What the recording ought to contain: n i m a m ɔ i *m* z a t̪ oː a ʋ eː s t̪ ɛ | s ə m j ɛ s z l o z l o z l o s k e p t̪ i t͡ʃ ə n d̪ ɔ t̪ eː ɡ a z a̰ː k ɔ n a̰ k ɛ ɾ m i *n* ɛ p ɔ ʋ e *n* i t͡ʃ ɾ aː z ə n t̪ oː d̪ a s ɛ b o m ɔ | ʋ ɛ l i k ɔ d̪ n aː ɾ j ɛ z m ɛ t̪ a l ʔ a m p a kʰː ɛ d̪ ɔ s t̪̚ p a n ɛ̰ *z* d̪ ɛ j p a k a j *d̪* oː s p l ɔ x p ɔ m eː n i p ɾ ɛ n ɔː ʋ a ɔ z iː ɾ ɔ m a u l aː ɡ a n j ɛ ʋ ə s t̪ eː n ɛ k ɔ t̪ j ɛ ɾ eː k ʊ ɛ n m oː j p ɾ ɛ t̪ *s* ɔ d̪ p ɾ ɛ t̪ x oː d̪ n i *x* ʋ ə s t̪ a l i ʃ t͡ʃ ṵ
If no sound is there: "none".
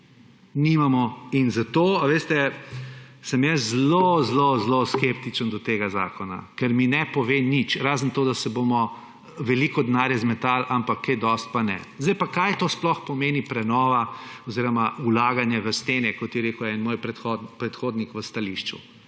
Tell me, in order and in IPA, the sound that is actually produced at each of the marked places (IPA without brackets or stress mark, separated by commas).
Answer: n, n, n, z, t̪, x, k